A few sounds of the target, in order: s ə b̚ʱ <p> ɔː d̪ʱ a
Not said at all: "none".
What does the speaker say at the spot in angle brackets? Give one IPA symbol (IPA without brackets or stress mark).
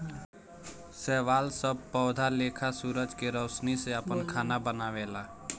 p